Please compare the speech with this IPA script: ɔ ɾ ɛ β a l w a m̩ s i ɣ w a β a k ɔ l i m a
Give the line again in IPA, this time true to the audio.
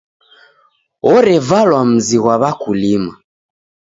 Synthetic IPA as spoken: ɔ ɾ ɛ v a l w a m̩ z i ɣ w a β a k u l i m a